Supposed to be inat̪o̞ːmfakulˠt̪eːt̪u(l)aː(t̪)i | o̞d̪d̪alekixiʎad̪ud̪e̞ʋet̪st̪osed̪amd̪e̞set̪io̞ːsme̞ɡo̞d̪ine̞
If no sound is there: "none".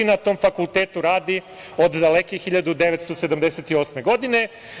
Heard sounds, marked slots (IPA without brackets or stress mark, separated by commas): ɾ, d̪